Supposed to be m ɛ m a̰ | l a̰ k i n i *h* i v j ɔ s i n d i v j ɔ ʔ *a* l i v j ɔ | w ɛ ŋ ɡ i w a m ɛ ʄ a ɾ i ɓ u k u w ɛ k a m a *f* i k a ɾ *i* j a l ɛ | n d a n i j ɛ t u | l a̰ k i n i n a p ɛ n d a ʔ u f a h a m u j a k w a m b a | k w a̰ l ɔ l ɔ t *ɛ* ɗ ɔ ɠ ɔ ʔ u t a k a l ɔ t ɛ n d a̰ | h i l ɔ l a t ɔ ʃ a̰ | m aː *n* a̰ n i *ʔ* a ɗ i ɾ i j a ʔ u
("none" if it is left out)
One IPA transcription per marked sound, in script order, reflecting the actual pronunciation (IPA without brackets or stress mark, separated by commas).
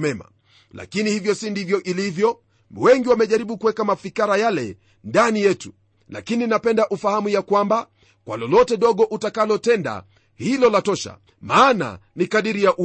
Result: h, i, f, a, ɛ, n, k